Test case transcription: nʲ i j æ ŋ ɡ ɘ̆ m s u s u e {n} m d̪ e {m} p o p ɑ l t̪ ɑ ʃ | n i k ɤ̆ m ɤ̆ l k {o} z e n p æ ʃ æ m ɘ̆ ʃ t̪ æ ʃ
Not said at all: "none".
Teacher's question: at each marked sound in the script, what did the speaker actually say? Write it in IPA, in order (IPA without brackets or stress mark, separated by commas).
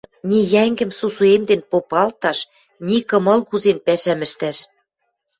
none, n, u